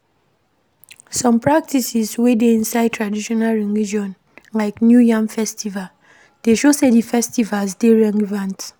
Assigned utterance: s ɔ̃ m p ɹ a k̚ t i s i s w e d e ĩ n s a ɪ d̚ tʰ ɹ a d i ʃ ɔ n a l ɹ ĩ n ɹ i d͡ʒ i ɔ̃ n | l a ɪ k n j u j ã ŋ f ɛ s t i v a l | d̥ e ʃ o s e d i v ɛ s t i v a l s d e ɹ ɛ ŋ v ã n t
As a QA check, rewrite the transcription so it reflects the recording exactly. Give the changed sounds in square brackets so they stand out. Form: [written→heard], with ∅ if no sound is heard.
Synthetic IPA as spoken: s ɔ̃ m p ɹ a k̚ t i s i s w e d e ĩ n s a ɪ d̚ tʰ ɹ a d i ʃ ɔ n a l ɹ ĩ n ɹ i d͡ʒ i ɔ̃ n | l a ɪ k n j u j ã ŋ f ɛ s t i v a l | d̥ e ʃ o s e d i [v→f] ɛ s t i v a l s d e ɹ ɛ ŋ v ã n t

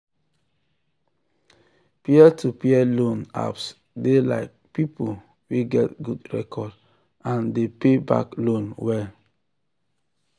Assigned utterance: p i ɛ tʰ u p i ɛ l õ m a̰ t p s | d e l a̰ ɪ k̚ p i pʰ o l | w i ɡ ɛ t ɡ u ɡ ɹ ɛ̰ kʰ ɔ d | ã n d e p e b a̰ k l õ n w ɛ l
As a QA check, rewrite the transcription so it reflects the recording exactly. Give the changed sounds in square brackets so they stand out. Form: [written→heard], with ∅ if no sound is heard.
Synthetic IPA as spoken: p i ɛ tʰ u p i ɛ l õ [m→n] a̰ [t→∅] p s | d e l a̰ ɪ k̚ p i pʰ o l | w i ɡ ɛ t ɡ u [ɡ→d] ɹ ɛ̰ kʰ ɔ d | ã n d e p e b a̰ k l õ n w ɛ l

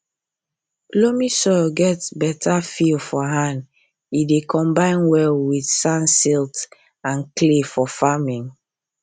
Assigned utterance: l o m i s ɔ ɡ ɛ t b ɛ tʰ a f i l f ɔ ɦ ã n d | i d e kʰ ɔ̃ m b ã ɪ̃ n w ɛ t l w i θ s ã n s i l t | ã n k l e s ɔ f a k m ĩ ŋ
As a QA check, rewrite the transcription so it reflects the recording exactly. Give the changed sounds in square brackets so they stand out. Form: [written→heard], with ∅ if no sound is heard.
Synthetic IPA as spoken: l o m i s ɔ ɡ ɛ t b ɛ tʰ a f i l f ɔ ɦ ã n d | i d e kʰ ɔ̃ m b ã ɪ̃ n w ɛ [t→∅] l w i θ s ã n s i l t | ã n k l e [s→f] ɔ f a [k→∅] m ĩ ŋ

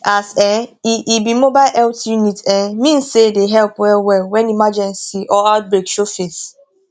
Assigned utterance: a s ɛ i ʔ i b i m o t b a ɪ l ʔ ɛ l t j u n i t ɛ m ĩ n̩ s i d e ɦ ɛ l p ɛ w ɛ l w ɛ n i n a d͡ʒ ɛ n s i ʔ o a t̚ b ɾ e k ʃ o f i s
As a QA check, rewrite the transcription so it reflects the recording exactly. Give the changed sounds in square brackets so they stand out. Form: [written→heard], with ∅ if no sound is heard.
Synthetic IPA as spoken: a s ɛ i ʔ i b i m o [t→∅] b a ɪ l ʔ ɛ l t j u n i t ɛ m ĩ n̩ s [i→e] d e ɦ ɛ l p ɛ w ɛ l w ɛ n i [n→m] a d͡ʒ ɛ n s i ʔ [o→ɔ] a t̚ b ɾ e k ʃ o f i s

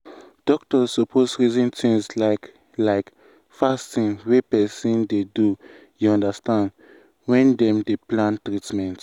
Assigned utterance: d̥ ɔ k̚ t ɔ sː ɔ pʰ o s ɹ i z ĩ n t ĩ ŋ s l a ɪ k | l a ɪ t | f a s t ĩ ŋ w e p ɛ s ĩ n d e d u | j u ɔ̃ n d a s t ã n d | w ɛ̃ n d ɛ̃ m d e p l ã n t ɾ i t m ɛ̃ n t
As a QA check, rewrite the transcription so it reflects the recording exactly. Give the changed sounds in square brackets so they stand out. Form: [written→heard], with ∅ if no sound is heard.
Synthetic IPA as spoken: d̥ ɔ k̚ t ɔ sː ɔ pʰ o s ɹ i z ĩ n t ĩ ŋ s l a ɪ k | l a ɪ [t→k] | f a s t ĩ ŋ w e p ɛ s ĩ n d e d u | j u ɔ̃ n d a s t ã n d | w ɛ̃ n d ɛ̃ m d e p l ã n t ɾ i t m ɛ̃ n t

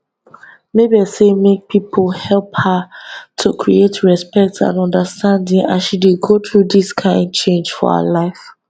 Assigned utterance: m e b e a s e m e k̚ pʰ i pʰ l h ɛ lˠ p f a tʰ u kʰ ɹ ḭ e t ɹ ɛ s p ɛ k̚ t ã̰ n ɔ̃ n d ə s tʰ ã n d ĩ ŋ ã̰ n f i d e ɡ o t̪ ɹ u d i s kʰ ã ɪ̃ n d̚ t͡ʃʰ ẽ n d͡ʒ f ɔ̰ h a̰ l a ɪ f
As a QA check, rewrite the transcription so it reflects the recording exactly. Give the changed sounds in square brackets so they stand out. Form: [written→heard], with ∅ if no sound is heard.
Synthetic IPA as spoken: m e b [e→i] a s e m e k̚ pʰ i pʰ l h ɛ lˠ p [f→h] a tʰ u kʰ ɹ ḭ e t ɹ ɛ s p ɛ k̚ t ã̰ n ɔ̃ n d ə s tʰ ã n d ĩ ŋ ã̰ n [f→ʃ] i d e ɡ o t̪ ɹ u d i s kʰ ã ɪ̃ n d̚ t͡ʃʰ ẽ n d͡ʒ f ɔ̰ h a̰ l a ɪ f

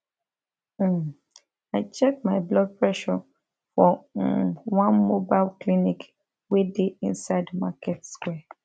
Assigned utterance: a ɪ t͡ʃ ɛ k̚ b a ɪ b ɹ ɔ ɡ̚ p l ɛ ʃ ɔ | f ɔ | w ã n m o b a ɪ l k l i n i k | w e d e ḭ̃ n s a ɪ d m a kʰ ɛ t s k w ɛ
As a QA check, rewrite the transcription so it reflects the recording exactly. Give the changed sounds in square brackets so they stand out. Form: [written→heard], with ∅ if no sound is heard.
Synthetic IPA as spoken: a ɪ t͡ʃ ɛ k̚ [b→m] a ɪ b [ɹ→l] ɔ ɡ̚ p [l→ɹ] ɛ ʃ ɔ | f ɔ | w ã n m o b a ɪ l k l i n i k | w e d e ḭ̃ n s a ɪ d m a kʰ ɛ t s k w ɛ

